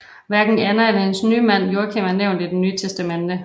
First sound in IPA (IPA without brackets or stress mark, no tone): ʋ